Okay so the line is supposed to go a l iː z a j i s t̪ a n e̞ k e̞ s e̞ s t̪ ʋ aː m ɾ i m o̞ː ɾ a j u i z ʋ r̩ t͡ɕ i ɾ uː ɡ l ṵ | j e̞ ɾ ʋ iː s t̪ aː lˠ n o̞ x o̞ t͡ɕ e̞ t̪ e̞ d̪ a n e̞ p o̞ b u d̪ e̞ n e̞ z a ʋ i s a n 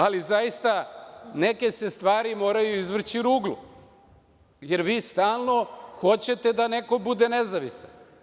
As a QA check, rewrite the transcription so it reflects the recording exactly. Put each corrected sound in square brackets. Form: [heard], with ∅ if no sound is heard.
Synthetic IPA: a l [i] z a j i s t̪ a n e̞ k e̞ s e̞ s t̪ ʋ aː [∅] ɾ i m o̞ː ɾ a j u i z ʋ r̩ t͡ɕ i ɾ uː ɡ l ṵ | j e̞ ɾ ʋ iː s t̪ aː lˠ n o̞ x o̞ t͡ɕ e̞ t̪ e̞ d̪ a n e̞ [k] o̞ b u d̪ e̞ n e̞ z a ʋ i s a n

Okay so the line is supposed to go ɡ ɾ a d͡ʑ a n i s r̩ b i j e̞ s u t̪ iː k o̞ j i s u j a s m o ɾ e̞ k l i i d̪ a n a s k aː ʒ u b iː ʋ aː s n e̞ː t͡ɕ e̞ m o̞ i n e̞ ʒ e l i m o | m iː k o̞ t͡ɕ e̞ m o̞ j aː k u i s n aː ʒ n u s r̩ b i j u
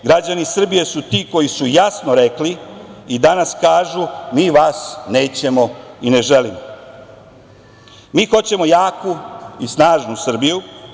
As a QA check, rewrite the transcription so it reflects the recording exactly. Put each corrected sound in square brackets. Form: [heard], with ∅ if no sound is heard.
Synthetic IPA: ɡ ɾ a d͡ʑ a n i s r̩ b i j e̞ s u t̪ iː k o̞ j i s u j a s [n] o ɾ e̞ k l i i d̪ a n a s k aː ʒ u [m] iː ʋ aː s n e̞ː t͡ɕ e̞ m o̞ i n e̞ ʒ e l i m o | m iː [x] o̞ t͡ɕ e̞ m o̞ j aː k u i s n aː ʒ n u s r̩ b i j u

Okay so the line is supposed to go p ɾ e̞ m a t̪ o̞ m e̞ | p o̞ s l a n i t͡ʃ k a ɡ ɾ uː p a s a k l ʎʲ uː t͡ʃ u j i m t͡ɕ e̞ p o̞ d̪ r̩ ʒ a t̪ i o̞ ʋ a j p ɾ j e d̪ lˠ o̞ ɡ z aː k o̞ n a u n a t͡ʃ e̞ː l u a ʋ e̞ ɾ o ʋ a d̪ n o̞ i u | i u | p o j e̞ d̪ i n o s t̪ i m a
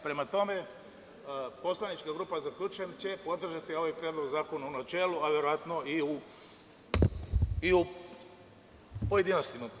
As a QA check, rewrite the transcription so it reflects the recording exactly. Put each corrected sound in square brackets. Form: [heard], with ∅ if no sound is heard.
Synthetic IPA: p ɾ e̞ m a t̪ o̞ m e̞ | p o̞ s l a n i t͡ʃ k a ɡ ɾ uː p a [z] a k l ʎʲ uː t͡ʃ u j [e] m t͡ɕ e̞ p o̞ d̪ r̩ ʒ a t̪ i o̞ ʋ a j p ɾ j e d̪ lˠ o̞ ɡ z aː k o̞ n a u n a t͡ʃ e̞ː l u a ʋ e̞ ɾ o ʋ a [t̪] n o̞ i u | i u | p o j e̞ d̪ i n o s t̪ i m a

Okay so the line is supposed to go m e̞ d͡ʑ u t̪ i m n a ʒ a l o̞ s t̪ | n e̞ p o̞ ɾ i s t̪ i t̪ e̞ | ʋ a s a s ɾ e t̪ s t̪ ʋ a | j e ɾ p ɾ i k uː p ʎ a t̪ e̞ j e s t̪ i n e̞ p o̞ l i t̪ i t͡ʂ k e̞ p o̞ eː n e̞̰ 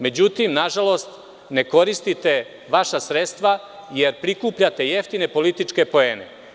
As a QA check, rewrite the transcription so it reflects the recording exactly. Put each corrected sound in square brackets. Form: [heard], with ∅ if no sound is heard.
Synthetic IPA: m e̞ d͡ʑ u t̪ i m n a ʒ a l o̞ s t̪ | n e̞ [k] o̞ ɾ i s t̪ i t̪ e̞ | ʋ a [ʃ] a s ɾ e t̪ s t̪ ʋ a | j e ɾ p ɾ i k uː p ʎ a t̪ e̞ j e [f] t̪ i n e̞ p o̞ l i t̪ i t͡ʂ k e̞ p o̞ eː n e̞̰

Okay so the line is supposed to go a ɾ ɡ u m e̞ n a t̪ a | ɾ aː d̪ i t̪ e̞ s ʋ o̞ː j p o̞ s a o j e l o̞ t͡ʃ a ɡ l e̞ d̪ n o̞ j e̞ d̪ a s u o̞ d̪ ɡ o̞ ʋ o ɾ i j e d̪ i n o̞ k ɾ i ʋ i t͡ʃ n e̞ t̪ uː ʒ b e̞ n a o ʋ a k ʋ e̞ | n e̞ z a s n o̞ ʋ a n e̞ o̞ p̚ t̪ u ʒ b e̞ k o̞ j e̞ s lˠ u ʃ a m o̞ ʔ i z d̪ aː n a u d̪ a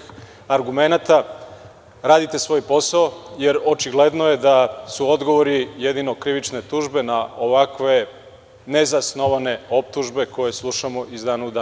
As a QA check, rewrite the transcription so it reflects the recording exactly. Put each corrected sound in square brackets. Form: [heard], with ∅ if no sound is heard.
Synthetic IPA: a ɾ ɡ u m e̞ n a t̪ a | ɾ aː d̪ i t̪ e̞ s ʋ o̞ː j p o̞ s a o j e [ɾ] o̞ t͡ʃ [i] ɡ l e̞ d̪ n o̞ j e̞ d̪ a s u o̞ d̪ ɡ o̞ ʋ o ɾ i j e d̪ i n o̞ k ɾ i ʋ i t͡ʃ n e̞ t̪ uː ʒ b e̞ n a o ʋ a k ʋ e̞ | n e̞ z a s n o̞ ʋ a n e̞ o̞ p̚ t̪ u ʒ b e̞ k o̞ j e̞ s lˠ u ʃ a m o̞ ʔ i z d̪ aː n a u d̪ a

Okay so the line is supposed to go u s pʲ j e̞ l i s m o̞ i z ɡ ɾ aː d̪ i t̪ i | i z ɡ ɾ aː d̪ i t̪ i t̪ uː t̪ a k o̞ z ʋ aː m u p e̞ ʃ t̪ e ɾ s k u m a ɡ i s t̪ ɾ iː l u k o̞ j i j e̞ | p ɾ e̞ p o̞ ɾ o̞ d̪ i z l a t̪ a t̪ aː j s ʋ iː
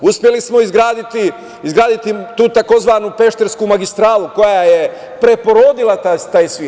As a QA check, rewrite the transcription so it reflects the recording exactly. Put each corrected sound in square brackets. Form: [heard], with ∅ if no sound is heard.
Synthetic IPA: u s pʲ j e̞ l i s m o̞ i z ɡ ɾ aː d̪ i t̪ i | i z ɡ ɾ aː d̪ i t̪ i t̪ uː t̪ a k o̞ z ʋ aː [n] u p e̞ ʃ t̪ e ɾ s k u m a ɡ i s t̪ ɾ [aː] l u k o̞ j [a] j e̞ | p ɾ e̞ p o̞ ɾ o̞ d̪ i [∅] l a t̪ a t̪ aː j s ʋ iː

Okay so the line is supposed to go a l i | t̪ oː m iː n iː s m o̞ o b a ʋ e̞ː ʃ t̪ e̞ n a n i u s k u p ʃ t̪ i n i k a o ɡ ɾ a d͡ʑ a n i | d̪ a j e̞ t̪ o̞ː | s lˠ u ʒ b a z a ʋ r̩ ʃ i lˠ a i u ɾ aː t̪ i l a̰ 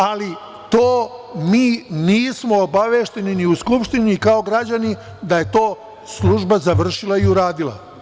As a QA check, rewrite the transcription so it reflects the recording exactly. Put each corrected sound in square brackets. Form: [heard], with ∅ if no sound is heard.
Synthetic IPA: a l i | t̪ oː m iː n iː s m o̞ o b a ʋ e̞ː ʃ t̪ e̞ n [i] n i u s k u p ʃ t̪ i n i k a o ɡ ɾ a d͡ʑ a n i | d̪ a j e̞ t̪ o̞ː | s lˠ u ʒ b a z a ʋ r̩ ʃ i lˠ a i u ɾ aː [d̪] i l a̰

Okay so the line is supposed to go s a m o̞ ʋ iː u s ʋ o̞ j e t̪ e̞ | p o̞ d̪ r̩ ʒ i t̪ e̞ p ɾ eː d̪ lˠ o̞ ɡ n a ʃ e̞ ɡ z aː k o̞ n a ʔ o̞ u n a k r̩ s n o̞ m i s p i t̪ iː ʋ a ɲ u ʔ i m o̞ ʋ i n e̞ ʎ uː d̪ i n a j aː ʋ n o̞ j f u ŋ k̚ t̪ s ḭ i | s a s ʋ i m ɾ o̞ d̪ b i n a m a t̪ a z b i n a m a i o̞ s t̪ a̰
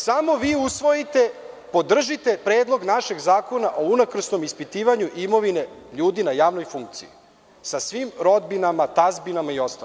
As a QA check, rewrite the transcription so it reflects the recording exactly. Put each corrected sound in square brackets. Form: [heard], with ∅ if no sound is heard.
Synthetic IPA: s a m o̞ ʋ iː u s ʋ o̞ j [i] t̪ e̞ | p o̞ d̪ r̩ ʒ i t̪ e̞ p ɾ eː d̪ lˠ o̞ ɡ n a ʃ e̞ ɡ z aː k o̞ n a ʔ o̞ u n a k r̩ s n o̞ m i s p i t̪ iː ʋ a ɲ u ʔ i m o̞ ʋ i n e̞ ʎ uː d̪ i n a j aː ʋ n o̞ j f u ŋ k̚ t̪ s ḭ i | s a s ʋ i m ɾ o̞ d̪ b i n a m a t̪ a z b i n a m a i o̞ s t̪ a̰

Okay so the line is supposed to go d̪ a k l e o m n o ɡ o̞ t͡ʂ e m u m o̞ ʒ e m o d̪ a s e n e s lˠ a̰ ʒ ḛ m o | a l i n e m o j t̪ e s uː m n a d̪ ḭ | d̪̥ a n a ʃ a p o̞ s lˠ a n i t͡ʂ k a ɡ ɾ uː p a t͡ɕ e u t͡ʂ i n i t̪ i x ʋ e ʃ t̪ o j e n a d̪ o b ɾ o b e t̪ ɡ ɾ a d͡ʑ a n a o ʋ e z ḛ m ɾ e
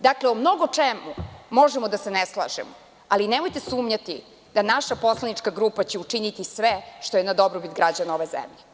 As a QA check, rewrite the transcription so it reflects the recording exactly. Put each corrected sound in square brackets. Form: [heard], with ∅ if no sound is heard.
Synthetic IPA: d̪ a k l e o m n o ɡ o̞ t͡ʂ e m u m o̞ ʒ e m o d̪ a s e n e s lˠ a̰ ʒ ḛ m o | a l i n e m o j t̪ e s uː m [ɲ] a [t̪] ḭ | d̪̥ a n a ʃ a p o̞ s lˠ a n i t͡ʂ k a ɡ ɾ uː p a t͡ɕ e u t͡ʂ i n i t̪ i [s] ʋ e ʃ t̪ o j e n a d̪ o b ɾ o b [i] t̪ ɡ ɾ a d͡ʑ a n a o ʋ e z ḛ m [ʎ] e

